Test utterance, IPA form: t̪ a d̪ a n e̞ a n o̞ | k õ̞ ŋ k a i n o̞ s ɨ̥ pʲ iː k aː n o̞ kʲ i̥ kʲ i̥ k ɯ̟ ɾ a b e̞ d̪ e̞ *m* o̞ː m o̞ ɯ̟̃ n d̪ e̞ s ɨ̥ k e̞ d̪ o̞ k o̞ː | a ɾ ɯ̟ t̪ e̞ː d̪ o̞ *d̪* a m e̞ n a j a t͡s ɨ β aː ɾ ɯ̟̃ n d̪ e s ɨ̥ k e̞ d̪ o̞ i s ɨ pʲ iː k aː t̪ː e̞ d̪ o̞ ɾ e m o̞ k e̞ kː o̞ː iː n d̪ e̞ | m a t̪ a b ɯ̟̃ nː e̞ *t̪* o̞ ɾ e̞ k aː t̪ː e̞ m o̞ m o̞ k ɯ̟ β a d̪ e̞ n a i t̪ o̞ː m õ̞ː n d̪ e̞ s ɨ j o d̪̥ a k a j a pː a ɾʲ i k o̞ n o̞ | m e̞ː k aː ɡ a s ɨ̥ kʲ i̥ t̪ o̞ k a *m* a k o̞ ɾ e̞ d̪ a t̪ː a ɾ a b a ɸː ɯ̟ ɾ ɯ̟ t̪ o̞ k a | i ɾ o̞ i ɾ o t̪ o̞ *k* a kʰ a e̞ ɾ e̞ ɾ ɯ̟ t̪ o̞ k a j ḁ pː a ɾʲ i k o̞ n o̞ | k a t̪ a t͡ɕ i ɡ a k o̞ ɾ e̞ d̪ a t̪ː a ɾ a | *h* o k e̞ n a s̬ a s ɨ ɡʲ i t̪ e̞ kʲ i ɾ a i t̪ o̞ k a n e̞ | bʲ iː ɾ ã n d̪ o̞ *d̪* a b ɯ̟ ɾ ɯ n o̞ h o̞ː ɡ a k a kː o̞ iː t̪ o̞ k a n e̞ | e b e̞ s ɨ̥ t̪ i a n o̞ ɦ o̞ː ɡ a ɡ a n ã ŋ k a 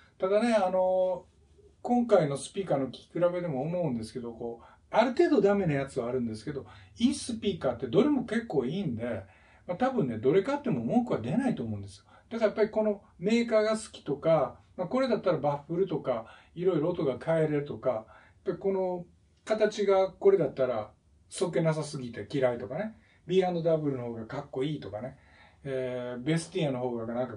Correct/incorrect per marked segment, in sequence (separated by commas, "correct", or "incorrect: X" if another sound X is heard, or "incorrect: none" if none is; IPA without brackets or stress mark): correct, correct, incorrect: d̪, correct, incorrect: ɡ, incorrect: s, correct